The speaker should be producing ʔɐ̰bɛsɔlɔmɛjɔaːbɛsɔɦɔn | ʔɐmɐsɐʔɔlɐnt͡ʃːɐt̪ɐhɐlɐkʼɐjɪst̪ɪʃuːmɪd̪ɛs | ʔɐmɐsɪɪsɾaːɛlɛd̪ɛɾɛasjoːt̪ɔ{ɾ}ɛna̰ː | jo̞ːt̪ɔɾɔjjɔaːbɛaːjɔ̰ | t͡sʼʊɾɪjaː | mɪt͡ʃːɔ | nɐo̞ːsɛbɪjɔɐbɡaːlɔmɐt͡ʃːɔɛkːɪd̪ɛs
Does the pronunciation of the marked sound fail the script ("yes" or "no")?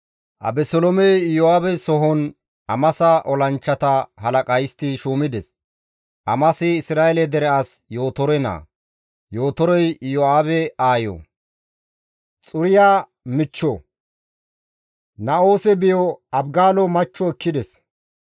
no